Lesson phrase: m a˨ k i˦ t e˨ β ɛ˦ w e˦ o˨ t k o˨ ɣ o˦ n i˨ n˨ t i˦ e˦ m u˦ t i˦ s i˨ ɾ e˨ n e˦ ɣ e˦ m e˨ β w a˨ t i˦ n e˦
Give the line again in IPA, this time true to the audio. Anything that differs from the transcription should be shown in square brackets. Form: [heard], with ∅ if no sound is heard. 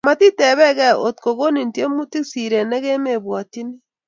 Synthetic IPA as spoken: m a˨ [t] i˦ t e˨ β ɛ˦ [ɣ] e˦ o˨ t k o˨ ɣ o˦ n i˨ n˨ t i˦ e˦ m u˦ t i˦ s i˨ ɾ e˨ n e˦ ɣ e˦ m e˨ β w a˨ t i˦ n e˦